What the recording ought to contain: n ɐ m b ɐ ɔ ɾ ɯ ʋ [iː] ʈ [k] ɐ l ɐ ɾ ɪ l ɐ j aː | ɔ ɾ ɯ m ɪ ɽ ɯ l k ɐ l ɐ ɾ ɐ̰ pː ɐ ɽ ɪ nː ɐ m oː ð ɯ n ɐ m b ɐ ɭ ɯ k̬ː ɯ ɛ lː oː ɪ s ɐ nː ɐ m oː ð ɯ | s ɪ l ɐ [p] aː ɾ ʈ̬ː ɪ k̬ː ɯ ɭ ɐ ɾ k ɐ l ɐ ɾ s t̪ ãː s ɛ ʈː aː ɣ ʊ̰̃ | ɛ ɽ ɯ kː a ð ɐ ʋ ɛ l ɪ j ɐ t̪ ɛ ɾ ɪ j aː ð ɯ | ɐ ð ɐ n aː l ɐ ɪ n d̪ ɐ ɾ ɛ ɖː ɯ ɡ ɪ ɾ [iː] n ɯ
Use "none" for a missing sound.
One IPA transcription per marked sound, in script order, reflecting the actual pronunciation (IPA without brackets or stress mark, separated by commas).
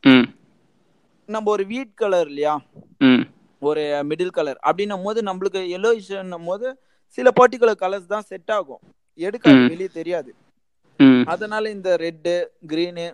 iː, k, p, iː